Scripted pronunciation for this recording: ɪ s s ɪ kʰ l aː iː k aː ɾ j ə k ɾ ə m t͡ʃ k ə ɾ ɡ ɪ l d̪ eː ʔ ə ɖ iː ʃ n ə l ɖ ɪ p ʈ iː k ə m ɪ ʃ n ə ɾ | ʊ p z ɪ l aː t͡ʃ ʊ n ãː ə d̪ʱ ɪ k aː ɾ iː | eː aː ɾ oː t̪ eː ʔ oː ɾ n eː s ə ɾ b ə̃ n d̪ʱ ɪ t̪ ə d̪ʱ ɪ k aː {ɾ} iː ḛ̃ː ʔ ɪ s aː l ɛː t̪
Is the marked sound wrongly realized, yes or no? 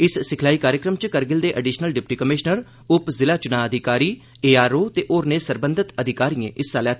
no